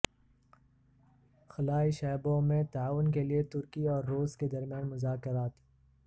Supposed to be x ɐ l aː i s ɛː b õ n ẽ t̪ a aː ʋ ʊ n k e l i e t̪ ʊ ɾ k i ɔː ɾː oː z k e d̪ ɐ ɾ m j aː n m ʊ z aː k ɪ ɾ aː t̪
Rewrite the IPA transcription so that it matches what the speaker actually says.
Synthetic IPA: x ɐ l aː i ʃ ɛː b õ m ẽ t̪ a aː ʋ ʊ n k e l i e t̪ ʊ ɾ k i ɔː ɾː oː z k e d̪ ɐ ɾ m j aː n m ʊ z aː k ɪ ɾ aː t̪